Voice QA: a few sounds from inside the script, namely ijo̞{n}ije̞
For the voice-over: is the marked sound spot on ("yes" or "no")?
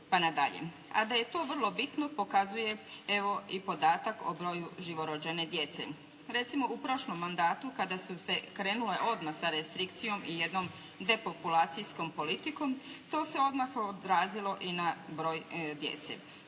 no